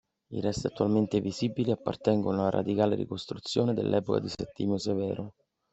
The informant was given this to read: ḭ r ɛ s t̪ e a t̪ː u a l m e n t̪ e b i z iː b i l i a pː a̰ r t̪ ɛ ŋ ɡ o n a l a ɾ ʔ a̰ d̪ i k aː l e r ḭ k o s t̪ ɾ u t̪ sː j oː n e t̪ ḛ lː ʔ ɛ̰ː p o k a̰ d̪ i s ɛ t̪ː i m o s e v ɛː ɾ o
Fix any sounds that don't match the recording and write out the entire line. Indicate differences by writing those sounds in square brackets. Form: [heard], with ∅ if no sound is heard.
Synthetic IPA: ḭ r ɛ s t̪ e a t̪ː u a l m e n t̪ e [v] i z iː b i l i a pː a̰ r t̪ ɛ ŋ ɡ o n a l a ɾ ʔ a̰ d̪ i k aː l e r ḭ k o s t̪ ɾ u t̪ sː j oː n e [d̪] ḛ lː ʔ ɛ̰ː p o k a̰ d̪ i s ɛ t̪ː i m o s e v ɛː ɾ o